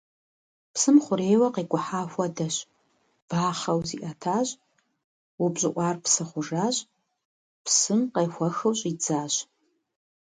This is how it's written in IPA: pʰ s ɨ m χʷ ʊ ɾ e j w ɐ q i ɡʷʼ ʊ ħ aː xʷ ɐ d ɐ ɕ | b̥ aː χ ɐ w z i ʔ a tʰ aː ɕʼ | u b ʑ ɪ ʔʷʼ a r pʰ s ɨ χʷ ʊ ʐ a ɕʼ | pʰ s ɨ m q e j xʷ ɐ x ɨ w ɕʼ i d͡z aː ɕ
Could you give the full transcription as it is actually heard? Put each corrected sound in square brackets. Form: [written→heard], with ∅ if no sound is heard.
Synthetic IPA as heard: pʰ s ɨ m χʷ ʊ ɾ e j w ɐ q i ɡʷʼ ʊ ħ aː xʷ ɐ d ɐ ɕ | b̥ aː χ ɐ w z i ʔ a tʰ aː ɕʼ | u b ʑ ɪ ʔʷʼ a r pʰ s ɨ χʷ ʊ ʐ a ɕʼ | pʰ s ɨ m q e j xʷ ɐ x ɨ w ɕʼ i d͡z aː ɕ